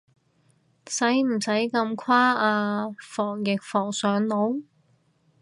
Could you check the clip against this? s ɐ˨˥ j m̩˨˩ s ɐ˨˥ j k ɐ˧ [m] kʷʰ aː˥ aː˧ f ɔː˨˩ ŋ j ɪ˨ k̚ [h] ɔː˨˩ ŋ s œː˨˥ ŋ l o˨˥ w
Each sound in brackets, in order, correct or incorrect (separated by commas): correct, incorrect